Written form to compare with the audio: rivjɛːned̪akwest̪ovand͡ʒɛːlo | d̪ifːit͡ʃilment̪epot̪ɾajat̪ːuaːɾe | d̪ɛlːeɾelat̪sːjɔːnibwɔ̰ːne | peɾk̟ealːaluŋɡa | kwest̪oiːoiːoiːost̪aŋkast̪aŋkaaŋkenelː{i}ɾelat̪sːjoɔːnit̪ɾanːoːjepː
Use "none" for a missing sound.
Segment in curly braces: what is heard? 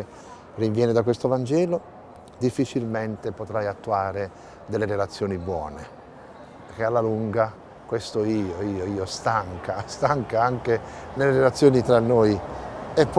e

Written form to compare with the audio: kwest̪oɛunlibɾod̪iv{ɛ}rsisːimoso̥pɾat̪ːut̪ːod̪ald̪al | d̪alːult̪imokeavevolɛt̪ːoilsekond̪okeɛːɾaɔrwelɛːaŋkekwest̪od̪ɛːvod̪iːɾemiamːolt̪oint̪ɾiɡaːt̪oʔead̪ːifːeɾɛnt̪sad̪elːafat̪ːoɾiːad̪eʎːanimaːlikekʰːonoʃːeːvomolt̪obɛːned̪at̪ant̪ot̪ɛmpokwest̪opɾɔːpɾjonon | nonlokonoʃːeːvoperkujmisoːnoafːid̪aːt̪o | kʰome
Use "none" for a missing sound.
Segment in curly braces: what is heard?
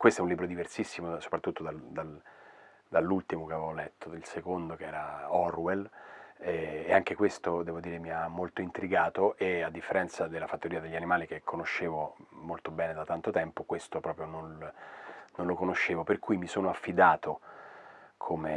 e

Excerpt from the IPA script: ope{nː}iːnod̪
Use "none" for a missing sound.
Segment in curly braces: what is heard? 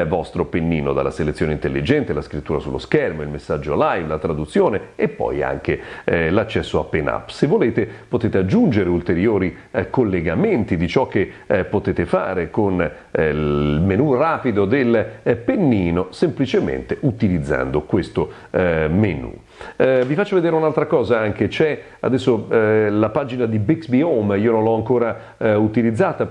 nː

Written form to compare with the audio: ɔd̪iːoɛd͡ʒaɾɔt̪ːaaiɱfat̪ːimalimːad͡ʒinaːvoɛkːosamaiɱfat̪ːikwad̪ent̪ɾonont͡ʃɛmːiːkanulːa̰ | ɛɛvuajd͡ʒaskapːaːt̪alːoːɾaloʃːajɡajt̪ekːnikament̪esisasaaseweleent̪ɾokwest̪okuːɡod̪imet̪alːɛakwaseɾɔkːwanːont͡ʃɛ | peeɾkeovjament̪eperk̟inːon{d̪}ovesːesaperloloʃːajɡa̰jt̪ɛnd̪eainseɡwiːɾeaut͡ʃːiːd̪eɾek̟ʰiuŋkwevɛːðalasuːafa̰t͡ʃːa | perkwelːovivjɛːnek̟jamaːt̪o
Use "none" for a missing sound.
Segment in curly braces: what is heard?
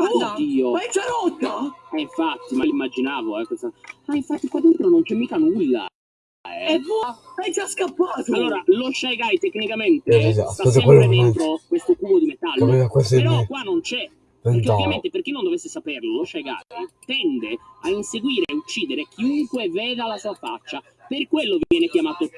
d̪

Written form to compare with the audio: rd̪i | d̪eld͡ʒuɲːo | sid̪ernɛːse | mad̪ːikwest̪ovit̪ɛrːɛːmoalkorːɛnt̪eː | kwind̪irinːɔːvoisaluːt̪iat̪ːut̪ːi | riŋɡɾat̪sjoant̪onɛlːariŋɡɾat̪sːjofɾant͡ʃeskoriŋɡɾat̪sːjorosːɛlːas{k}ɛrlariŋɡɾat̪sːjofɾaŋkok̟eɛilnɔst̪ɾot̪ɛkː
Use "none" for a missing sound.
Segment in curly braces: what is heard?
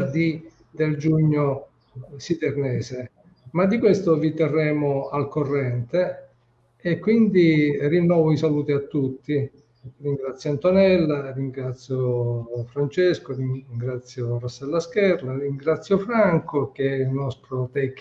k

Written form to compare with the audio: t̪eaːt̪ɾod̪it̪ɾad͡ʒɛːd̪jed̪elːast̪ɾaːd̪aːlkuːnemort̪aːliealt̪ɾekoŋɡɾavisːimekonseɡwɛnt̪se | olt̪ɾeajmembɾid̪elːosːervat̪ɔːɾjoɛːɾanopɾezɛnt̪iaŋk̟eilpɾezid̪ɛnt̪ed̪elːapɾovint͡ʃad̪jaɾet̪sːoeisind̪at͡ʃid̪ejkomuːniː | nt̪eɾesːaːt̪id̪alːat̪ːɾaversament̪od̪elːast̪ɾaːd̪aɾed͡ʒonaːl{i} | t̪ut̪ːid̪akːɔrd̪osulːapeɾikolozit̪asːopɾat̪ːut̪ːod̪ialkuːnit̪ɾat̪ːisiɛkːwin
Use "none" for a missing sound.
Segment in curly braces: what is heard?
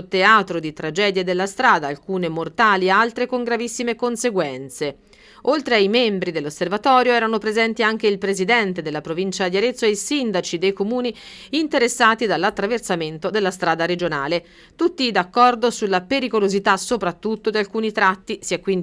e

